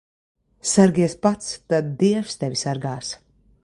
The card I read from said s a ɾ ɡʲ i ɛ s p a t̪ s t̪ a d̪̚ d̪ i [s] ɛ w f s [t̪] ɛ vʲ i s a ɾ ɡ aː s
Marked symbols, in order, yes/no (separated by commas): no, yes